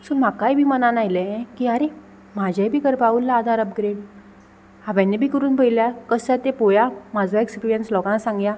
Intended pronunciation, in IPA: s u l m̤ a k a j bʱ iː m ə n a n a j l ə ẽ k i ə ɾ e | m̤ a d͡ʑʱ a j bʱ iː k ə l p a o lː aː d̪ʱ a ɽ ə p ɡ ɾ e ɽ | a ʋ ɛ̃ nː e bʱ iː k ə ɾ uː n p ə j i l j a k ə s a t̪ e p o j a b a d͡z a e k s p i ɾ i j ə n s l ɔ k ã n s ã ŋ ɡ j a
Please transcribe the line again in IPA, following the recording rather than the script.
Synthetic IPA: s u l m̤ a k a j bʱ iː m ə n a n a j l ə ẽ k i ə ɾ e | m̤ a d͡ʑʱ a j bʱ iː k ə ɾ p a u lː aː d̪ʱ a ɾ ə p ɡ ɾ e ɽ | a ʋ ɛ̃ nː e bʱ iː k ə ɾ uː n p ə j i l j a k ə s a t̪ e p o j a m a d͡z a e k s p i ɾ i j ə n s l ɔ k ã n s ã ŋ ɡ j a

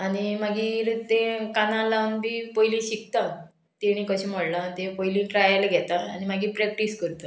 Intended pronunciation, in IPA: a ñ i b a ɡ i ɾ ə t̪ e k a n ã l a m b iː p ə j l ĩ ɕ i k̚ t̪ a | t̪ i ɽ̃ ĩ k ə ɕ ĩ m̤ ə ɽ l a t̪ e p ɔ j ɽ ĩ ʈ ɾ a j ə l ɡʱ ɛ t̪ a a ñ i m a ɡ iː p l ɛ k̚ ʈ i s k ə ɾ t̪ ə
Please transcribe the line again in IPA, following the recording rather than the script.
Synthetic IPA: a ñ i m a ɡ i ɾ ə t̪ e k a n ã l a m b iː p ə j l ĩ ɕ i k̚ t̪ a | t̪ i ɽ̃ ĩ k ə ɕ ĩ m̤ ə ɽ l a t̪ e p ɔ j l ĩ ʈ ɾ a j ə l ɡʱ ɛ t̪ a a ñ i m a ɡ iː p ɾ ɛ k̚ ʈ i s k ə ɾ t̪ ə

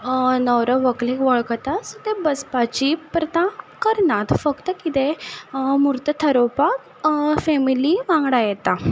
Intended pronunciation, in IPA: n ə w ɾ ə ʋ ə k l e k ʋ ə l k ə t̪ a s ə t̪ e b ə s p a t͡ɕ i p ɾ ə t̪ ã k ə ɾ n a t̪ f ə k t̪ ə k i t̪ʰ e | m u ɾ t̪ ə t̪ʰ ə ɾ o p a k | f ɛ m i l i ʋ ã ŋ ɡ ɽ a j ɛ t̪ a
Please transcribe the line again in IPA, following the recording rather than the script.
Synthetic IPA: n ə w ɾ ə ʋ ə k l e k ʋ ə ɭ k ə t̪ a s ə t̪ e b ə s p a t͡ɕ i p ɾ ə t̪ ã k ə ɾ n a t̪ f ə k t̪ ə k i t̪ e | m u ɾ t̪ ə t̪ʰ ə ɾ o p a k | f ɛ m i l i ʋ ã ŋ ɡ ɽ a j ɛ t̪ a

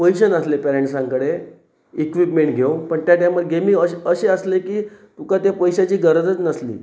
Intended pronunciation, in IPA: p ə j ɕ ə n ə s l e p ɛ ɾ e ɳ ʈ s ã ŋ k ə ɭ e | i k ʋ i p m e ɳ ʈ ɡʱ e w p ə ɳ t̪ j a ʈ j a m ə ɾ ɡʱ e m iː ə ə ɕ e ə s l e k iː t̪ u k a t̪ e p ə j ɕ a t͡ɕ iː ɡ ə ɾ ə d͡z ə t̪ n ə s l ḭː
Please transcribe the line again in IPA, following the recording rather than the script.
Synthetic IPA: p ə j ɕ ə n ə s l e p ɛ ɾ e ɳ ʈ s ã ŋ k ə ɽ e | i k ʋ i p m e ɳ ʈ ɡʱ e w p ə ɳ t̪ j a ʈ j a m ə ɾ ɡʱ e m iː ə ə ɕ e ə s l e k iː t̪ u k a t̪ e p ə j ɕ a t͡ɕ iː ɡ ə ɾ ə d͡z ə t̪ n ə s l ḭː

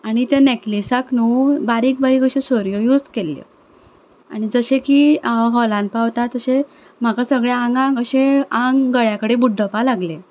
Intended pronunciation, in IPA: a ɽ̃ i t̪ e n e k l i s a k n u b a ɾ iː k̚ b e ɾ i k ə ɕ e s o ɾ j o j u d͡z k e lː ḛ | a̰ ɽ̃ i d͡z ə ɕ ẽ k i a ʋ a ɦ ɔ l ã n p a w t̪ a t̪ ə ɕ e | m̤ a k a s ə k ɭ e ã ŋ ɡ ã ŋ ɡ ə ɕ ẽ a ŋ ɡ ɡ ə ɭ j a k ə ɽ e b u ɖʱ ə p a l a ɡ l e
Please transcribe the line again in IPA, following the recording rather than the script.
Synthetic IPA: a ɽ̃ i t̪ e n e k l i s a k n u b a ɾ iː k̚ b a ɾ i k ə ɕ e s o ɾ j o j u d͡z k e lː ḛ | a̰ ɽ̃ i d͡z ə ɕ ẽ k i a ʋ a ɦ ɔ l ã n p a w t̪ a t̪ ə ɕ e | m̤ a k a s ə ɡ ɭ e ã ŋ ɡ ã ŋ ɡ ə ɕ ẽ a ŋ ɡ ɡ ə ɭ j a k ə ɽ e b u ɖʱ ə p a l a ɡ l e

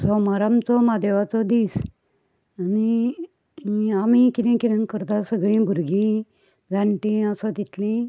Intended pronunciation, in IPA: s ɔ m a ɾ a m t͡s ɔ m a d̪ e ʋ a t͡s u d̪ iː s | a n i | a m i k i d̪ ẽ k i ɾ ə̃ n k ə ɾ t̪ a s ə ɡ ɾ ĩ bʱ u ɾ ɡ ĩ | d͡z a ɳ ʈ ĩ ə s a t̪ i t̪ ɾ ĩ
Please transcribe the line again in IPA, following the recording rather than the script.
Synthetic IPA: s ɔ m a ɾ a m t͡s ɔ m a d̪ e ʋ a t͡s ɔ d̪ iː s | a n i | a m i k i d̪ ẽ k i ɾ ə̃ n k ə ɾ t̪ a s ə ɡ ɭ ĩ bʱ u ɾ ɡ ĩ | d͡z a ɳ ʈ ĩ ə s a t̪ i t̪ l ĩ

